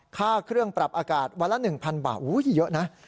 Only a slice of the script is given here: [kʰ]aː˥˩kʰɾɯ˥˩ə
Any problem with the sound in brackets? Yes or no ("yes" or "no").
no